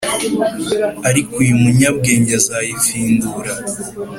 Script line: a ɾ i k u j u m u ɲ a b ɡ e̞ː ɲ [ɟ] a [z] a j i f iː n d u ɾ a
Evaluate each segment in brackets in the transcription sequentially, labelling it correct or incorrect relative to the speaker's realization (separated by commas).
correct, correct